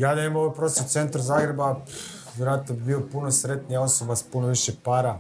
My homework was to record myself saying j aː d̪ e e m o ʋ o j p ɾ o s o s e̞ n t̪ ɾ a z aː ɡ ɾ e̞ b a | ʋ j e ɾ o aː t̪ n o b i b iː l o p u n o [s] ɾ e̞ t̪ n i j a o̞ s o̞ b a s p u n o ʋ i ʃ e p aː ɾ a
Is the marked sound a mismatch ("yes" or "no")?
no